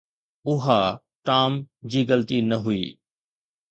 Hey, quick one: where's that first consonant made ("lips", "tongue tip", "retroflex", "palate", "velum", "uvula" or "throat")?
throat